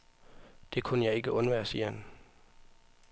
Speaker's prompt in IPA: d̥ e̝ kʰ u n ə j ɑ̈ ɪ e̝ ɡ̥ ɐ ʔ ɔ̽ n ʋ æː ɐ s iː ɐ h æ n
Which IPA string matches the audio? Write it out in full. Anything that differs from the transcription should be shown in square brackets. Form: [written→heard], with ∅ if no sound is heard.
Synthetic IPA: d̥ e̝ kʰ u n ə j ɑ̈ ɪ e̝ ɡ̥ [ɐ→ə] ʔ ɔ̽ n ʋ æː ɐ s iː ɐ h æ n